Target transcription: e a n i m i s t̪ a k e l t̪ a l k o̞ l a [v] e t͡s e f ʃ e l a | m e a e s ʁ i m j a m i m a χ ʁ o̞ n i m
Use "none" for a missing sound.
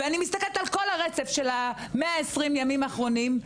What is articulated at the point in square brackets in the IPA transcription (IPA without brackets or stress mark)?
ʁ